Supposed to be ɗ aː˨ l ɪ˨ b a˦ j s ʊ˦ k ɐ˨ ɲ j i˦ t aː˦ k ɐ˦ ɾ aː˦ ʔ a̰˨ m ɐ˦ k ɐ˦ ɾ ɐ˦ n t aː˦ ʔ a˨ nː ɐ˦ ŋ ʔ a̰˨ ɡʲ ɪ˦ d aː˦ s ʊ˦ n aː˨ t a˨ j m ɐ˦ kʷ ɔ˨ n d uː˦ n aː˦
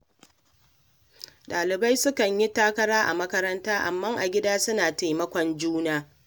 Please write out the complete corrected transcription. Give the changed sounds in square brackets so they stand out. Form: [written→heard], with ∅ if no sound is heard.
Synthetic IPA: ɗ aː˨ l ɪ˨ b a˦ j s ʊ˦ k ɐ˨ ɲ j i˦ t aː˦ k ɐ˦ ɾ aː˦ ʔ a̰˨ m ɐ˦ k ɐ˦ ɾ ɐ˦ n t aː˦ ʔ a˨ [nː→mː] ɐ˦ ŋ ʔ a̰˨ ɡʲ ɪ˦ d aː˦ s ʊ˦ n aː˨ t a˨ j m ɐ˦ kʷ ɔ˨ n [d→d͡ʒ] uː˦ n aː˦

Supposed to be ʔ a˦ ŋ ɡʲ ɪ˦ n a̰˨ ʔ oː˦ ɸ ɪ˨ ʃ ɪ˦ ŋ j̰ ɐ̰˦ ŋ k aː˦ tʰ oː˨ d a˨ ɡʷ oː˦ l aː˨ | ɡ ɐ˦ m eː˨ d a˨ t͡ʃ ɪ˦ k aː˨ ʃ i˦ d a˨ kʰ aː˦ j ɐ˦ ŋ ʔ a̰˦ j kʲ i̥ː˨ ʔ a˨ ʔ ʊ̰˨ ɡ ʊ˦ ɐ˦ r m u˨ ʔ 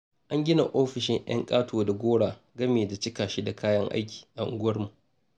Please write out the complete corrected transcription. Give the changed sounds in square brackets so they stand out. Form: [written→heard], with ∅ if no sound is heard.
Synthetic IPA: ʔ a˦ ŋ ɡʲ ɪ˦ n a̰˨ ʔ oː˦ ɸ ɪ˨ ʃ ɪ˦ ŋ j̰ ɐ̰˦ ŋ [k→kʼ] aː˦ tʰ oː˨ d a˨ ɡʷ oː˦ [l→ɽ] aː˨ | ɡ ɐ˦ m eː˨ d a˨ t͡ʃ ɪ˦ k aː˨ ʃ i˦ d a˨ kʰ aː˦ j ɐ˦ ŋ ʔ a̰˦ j kʲ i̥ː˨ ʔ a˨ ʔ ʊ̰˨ ɡ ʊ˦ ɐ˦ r m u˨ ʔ

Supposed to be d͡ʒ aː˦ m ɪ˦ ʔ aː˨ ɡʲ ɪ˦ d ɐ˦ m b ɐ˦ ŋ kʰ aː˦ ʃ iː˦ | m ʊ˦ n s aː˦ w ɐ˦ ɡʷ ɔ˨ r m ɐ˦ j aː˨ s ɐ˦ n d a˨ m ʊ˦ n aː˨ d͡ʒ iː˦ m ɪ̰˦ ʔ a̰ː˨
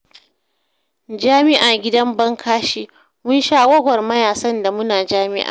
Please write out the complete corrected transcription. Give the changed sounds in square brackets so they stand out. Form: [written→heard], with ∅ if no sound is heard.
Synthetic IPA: d͡ʒ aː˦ m ɪ˦ ʔ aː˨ ɡʲ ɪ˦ d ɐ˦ m b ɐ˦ ŋ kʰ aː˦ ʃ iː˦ | m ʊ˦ n [s→ʃ] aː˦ w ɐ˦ ɡʷ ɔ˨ r m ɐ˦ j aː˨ s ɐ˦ n d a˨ m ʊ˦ n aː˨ d͡ʒ [iː˦→aː˦] m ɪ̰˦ ʔ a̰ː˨

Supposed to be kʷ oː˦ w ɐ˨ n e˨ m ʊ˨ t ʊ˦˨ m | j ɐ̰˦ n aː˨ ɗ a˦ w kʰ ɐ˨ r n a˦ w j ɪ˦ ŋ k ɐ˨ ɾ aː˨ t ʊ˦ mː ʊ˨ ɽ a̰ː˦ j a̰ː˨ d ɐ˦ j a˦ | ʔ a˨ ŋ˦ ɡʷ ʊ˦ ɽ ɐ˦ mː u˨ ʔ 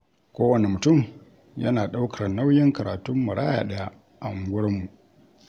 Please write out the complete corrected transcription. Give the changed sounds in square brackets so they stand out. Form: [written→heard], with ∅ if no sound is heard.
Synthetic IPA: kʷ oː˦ w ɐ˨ n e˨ m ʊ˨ t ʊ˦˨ m | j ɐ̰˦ n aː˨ ɗ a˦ w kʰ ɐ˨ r n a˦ w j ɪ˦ ŋ k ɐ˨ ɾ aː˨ t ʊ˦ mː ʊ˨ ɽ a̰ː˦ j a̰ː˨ [d→ɗ] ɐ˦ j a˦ | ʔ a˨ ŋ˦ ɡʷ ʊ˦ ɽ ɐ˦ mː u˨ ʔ

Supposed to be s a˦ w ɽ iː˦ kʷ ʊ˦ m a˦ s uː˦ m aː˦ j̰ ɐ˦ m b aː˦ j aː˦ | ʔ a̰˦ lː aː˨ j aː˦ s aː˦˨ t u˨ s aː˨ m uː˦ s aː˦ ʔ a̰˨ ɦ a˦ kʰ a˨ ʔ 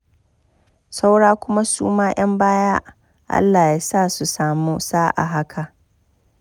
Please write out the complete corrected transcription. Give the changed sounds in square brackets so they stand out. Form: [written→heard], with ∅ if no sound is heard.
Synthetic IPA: s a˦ w ɽ [iː˦→aː˦] kʷ ʊ˦ m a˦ s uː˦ m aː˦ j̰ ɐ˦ m b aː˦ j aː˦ | ʔ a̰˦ lː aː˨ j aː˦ s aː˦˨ [t→s] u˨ s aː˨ m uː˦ s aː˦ ʔ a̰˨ ɦ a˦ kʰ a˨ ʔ

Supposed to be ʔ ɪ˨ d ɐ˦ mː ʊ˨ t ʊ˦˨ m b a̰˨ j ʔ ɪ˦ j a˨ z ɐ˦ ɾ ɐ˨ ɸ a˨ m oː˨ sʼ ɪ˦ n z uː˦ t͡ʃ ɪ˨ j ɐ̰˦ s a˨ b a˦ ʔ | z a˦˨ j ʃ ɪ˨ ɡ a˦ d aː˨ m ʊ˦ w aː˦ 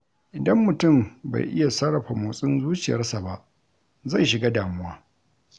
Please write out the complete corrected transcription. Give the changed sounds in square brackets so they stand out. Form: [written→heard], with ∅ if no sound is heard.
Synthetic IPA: ʔ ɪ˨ d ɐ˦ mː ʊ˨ t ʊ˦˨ m b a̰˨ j ʔ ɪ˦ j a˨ [z→s] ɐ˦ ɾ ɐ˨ ɸ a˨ m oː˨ sʼ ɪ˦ n z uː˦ t͡ʃ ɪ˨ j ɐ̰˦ s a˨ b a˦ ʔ | z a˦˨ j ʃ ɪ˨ ɡ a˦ d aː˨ m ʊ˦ w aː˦

